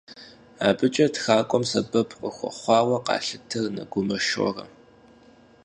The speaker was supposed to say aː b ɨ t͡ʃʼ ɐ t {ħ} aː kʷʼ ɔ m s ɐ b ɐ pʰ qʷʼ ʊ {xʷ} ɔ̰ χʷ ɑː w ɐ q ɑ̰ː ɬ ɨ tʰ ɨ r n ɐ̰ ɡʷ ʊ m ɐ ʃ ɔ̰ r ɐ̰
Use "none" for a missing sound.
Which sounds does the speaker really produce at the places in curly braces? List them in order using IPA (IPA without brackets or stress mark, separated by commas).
x, xʷ